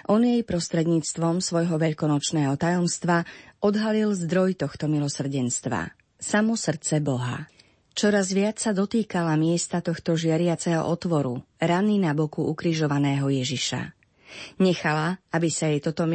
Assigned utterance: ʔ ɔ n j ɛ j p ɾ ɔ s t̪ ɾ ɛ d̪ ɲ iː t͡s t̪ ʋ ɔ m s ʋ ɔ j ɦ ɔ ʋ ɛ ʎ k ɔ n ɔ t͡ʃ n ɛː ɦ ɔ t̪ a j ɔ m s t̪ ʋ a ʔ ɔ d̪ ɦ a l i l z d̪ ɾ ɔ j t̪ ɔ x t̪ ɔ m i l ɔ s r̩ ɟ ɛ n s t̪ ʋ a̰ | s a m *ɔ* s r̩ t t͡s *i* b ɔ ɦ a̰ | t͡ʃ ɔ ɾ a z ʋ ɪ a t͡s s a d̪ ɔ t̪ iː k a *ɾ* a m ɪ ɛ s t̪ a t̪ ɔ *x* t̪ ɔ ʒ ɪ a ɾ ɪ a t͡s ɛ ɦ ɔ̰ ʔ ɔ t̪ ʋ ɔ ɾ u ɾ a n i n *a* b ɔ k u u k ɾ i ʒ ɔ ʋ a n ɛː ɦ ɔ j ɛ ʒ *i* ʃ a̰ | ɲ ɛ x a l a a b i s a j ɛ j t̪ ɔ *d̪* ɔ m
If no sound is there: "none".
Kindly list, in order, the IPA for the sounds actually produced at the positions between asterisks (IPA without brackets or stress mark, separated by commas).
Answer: ɔ, ɛ, l, x, a, i, t̪